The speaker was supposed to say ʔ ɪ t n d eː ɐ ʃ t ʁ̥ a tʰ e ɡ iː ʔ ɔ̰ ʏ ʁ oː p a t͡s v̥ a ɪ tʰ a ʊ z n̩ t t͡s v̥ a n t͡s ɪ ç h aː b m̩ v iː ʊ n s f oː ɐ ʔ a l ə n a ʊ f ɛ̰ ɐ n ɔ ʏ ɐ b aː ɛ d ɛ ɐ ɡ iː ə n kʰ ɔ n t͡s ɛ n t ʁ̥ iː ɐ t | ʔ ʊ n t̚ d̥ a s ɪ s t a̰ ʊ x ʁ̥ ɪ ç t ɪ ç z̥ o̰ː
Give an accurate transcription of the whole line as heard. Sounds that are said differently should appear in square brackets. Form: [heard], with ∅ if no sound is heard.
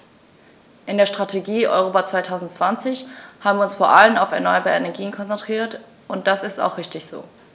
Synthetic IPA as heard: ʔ ɪ [∅] n d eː ɐ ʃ t ʁ̥ a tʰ e ɡ iː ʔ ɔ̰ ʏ ʁ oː p a t͡s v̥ a ɪ tʰ a ʊ z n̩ t t͡s v̥ a n t͡s ɪ ç h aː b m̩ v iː ʊ n s f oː ɐ ʔ a l ə n a ʊ f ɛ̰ ɐ n ɔ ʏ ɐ b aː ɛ [n] ɛ ɐ ɡ iː ə n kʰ ɔ n t͡s ɛ n t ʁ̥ iː ɐ t | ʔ ʊ n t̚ d̥ a s ɪ s t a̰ ʊ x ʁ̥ ɪ ç t ɪ ç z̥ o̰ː